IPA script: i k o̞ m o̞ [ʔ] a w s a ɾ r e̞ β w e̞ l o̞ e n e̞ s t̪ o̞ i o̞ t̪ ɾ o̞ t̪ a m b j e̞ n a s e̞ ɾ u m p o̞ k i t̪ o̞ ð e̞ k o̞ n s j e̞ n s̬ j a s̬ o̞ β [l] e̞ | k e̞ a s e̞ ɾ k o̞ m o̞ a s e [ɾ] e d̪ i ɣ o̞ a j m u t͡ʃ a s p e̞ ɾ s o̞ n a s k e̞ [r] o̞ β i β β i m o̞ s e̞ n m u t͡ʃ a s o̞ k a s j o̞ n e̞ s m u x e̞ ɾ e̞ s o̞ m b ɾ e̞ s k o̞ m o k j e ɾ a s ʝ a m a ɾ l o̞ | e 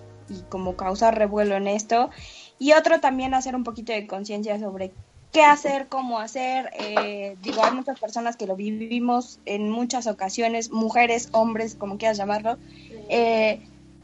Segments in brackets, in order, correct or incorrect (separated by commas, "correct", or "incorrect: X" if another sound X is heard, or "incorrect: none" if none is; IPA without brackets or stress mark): incorrect: k, incorrect: ɾ, correct, incorrect: l